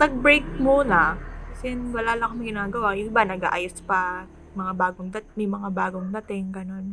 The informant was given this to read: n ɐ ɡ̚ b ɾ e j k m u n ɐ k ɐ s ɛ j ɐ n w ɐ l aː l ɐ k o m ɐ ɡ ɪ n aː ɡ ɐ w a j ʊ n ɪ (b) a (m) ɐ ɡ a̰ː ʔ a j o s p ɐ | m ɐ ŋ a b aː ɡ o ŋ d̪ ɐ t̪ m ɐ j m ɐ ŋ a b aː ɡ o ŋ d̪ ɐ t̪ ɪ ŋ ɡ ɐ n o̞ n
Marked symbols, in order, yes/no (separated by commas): yes, no